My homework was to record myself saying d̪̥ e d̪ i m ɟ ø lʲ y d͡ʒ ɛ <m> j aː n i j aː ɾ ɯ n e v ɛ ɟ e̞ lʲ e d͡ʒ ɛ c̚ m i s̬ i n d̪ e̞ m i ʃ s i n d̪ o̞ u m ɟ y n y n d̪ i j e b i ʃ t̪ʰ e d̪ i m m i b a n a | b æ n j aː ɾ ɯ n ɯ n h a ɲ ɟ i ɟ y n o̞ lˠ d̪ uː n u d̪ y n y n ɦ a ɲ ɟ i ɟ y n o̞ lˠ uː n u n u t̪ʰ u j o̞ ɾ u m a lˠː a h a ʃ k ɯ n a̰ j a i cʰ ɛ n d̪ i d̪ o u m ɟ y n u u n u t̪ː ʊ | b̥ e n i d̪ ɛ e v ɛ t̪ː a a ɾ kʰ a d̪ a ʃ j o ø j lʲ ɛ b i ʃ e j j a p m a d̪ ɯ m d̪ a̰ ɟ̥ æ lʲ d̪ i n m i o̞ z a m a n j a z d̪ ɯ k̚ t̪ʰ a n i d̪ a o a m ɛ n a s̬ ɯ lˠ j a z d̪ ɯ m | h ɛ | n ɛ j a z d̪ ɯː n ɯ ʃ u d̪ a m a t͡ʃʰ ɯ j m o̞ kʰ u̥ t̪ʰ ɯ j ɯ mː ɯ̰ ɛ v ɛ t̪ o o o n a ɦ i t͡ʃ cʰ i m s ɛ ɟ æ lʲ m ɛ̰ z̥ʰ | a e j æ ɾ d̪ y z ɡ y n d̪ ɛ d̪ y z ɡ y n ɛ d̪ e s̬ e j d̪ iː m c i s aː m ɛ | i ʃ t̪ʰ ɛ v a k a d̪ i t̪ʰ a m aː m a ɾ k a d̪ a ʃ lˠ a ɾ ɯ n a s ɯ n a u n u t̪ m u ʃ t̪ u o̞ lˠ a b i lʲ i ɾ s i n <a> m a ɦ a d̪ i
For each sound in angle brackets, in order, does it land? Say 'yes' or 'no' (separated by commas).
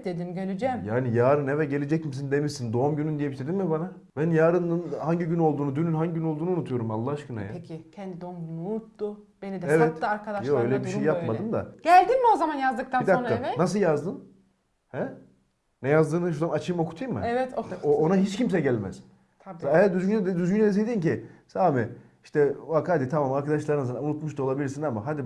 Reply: yes, yes